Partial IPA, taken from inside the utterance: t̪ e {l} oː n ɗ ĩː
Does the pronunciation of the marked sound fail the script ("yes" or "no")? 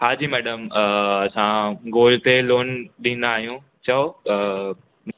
no